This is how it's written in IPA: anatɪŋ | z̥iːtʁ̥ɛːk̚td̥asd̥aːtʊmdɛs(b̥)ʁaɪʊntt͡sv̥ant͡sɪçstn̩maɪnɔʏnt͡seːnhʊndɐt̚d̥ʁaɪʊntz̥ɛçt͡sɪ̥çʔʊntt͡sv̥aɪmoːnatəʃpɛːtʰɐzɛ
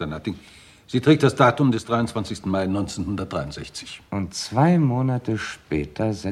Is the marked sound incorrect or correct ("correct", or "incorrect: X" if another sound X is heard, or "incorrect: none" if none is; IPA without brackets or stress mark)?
incorrect: d̥